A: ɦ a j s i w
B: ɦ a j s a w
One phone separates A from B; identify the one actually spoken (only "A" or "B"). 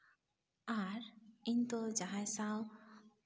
B